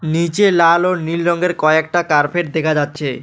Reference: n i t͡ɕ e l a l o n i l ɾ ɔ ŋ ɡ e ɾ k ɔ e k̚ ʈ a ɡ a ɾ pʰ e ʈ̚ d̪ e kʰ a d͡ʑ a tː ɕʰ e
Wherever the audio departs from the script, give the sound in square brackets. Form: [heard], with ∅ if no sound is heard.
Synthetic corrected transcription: n i t͡ɕ e l a l o n i l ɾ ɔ ŋ ɡ e ɾ k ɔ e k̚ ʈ a [k] a ɾ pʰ e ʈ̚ d̪ e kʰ a d͡ʑ a tː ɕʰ e